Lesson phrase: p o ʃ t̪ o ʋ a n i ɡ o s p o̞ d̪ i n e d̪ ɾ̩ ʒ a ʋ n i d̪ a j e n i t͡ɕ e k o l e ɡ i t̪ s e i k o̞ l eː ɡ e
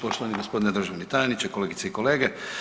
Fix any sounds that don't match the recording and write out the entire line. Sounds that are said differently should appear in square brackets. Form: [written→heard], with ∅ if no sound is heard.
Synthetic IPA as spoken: p o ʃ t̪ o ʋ a n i ɡ o s p o̞ d̪ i n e d̪ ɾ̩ ʒ a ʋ n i [d̪→t̪] a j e n i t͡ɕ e k o l e ɡ i t̪ s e i k o̞ l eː ɡ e